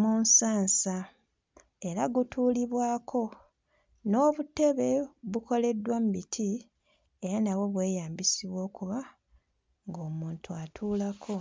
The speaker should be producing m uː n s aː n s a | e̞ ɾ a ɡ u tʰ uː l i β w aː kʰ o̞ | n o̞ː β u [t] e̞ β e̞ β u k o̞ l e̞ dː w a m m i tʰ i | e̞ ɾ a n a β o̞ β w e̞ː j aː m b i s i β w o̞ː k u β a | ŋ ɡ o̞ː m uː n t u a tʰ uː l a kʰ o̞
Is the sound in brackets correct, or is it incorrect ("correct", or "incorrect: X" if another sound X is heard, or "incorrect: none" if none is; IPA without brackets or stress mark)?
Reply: correct